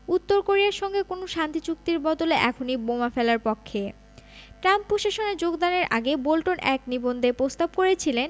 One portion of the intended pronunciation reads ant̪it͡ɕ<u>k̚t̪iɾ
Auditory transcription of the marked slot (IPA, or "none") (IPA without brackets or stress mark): u